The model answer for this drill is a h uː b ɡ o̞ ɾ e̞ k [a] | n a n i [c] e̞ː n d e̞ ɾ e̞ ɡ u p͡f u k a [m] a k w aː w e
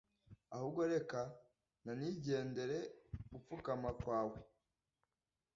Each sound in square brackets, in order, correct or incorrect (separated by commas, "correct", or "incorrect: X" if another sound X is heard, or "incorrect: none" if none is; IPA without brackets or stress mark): correct, incorrect: ɟ, correct